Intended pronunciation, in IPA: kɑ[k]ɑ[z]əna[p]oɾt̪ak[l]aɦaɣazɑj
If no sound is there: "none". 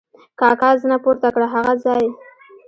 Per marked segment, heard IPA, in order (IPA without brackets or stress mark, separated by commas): k, z, p, ɽ